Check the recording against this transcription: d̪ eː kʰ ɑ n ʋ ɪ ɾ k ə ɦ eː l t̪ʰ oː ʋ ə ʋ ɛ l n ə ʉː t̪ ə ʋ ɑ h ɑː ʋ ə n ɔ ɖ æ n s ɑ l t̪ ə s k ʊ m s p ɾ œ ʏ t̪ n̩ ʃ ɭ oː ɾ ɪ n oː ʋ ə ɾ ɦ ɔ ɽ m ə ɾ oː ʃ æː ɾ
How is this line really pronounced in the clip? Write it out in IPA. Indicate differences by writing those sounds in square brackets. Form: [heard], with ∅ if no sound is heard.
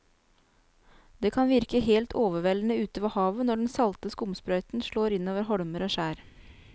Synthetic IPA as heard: d̪ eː kʰ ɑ n ʋ ɪ ɾ k ə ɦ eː l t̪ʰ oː ʋ ə ʋ ɛ l n ə ʉː t̪ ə ʋ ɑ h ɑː ʋ ə n ɔ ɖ [ɛ] n s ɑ l t̪ ə s k ʊ m s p ɾ œ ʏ t̪ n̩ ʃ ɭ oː ɾ ɪ n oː ʋ ə ɾ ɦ ɔ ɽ m ə ɾ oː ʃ æː ɾ

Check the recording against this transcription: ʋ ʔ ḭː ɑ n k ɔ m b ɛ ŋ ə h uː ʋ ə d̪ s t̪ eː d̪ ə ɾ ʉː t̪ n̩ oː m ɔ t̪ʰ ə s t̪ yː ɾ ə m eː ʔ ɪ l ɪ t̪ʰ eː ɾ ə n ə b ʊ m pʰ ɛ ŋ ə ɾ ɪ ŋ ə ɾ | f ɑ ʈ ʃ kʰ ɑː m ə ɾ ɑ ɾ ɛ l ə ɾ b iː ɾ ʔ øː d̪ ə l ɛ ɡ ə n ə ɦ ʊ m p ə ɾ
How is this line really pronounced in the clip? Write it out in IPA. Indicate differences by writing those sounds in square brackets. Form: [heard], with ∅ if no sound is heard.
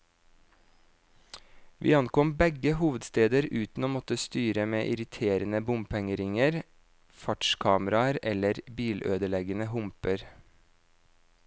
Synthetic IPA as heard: ʋ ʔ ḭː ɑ n k ɔ m b ɛ [ɡ] ə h uː ʋ ə d̪ s t̪ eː d̪ ə ɾ ʉː t̪ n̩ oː m ɔ [t̪] ə s t̪ yː ɾ ə m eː ʔ ɪ [ɾ] ɪ t̪ʰ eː ɾ ə n ə b ʊ m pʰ ɛ ŋ ə ɾ ɪ ŋ ə ɾ | f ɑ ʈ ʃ kʰ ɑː m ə ɾ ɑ ɾ ɛ l ə ɾ b iː [l] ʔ øː d̪ ə l ɛ ɡ ə n ə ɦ ʊ m p ə ɾ

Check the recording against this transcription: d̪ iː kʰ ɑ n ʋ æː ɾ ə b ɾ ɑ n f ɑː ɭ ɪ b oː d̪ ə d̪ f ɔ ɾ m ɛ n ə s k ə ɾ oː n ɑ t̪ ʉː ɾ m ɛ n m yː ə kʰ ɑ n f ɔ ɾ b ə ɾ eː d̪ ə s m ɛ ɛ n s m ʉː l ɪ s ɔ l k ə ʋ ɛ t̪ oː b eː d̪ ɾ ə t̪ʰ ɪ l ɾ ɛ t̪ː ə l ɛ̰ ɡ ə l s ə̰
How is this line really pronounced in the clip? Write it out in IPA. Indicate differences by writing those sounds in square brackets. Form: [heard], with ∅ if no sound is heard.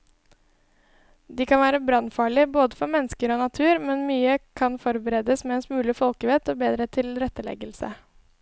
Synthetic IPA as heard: d̪ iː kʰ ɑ n ʋ æː ɾ ə b ɾ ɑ n f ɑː ɭ ɪ b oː d̪ ə [∅] f ɔ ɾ m ɛ n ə s k ə ɾ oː n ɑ [t̪ʰ] ʉː ɾ m ɛ n m yː ə kʰ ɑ n f ɔ ɾ b ə ɾ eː d̪ ə s m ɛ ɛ n s m ʉː l ɪ [f] ɔ l k ə ʋ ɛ t̪ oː b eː d̪ ɾ ə t̪ʰ ɪ l ɾ ɛ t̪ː ə l ɛ̰ ɡ ə l s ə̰

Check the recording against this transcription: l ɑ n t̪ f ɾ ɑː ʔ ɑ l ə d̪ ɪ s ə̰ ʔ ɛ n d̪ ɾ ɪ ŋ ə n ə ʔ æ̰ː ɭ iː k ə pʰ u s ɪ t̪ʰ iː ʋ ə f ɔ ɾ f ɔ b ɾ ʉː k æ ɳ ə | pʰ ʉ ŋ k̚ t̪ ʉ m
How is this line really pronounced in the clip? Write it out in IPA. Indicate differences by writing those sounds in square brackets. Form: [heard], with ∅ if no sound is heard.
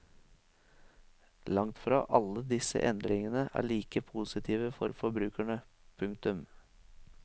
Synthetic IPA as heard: l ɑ [ŋ] t̪ f ɾ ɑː ʔ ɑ l ə d̪ ɪ s ə̰ ʔ ɛ n d̪ ɾ ɪ ŋ ə n ə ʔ æ̰ː ɭ iː k ə pʰ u s ɪ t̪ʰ iː ʋ ə f ɔ ɾ f ɔ b ɾ ʉː k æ ɳ ə | pʰ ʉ ŋ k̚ t̪ ʉ m

